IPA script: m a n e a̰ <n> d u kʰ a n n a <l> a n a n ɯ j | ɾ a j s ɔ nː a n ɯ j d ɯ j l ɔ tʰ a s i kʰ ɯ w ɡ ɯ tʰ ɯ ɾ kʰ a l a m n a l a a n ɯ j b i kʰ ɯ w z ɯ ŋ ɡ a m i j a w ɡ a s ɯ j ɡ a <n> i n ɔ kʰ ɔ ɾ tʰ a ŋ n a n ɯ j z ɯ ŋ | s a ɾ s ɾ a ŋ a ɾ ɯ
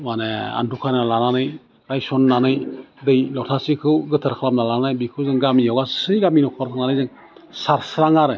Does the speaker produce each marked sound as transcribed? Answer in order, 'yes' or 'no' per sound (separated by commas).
yes, yes, no